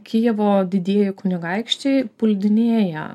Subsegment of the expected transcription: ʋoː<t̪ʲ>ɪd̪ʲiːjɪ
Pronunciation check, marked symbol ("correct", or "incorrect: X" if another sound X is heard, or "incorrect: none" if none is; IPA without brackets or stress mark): incorrect: d̪ʲ